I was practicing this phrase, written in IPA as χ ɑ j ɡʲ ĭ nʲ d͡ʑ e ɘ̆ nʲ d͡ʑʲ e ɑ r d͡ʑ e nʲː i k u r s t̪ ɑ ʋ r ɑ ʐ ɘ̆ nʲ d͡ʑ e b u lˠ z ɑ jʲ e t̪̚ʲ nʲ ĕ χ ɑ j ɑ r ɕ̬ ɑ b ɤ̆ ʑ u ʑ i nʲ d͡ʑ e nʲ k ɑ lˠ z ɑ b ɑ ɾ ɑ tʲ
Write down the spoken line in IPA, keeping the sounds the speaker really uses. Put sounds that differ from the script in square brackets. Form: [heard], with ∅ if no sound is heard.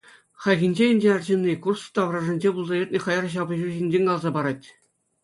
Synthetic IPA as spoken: χ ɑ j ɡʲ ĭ nʲ d͡ʑ e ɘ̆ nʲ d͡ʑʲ e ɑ r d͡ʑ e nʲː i k u r s t̪ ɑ ʋ r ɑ ʐ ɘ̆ nʲ d͡ʑ e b u lˠ z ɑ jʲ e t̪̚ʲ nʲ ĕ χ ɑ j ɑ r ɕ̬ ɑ b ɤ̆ ʑ u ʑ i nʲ d͡ʑ e nʲ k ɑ lˠ z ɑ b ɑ ɾ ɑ tʲ